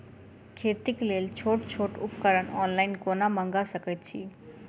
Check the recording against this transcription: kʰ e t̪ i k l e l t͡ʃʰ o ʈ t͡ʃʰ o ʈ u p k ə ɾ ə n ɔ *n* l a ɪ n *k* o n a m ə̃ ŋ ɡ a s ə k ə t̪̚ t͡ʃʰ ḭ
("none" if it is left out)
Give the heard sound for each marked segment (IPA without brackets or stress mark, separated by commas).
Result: n, k